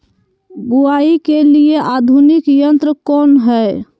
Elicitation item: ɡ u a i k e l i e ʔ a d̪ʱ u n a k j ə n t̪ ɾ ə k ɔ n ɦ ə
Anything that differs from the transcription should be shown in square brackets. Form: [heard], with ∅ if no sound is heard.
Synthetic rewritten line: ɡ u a i k e l i e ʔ a d̪ʱ u n [i] k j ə n t̪ ɾ ə k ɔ n ɦ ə